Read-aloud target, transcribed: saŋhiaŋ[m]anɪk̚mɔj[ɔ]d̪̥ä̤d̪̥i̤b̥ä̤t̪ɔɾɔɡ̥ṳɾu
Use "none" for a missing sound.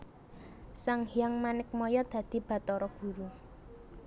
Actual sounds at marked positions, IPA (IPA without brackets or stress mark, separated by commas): m, ɔ